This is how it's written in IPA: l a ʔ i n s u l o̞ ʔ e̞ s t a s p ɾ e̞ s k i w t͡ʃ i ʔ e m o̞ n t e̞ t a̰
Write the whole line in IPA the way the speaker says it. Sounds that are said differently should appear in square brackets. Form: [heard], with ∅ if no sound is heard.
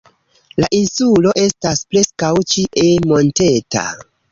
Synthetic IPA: l a ʔ i n s u l o̞ ʔ e̞ s t a s p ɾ e̞ s k [a] w t͡ʃ i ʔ e m o̞ n t e̞ t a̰